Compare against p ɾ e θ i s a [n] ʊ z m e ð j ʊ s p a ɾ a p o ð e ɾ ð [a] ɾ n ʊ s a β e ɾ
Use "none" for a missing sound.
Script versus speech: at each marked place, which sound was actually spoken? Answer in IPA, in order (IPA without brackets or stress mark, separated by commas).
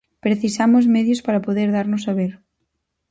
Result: m, a